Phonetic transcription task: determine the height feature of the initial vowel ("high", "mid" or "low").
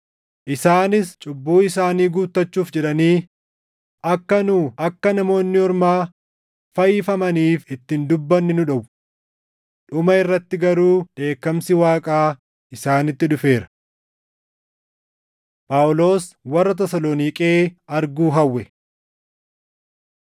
high